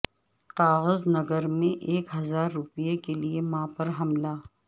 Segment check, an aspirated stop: absent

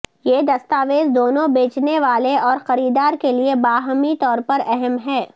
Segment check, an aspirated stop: absent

